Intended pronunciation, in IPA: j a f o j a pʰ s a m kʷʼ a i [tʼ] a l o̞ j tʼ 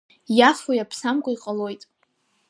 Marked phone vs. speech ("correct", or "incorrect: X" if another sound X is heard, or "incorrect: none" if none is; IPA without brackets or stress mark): incorrect: qʼ